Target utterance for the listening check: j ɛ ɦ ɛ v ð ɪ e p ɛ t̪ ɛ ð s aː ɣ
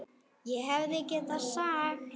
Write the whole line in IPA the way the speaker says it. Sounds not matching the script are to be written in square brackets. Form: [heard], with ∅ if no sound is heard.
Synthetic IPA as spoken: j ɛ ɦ ɛ v ð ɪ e [c] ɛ t̪ [a] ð s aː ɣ